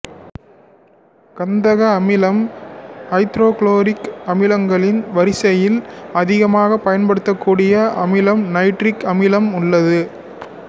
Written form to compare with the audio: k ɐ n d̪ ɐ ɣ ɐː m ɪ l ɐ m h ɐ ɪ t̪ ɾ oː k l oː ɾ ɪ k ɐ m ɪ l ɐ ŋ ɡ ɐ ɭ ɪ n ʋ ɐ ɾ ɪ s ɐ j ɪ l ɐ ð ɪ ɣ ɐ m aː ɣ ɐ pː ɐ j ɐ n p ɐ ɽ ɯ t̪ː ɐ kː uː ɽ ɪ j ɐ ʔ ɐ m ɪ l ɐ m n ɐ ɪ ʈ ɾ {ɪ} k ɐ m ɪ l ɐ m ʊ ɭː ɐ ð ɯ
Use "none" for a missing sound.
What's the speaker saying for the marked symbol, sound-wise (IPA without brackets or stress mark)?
ɪ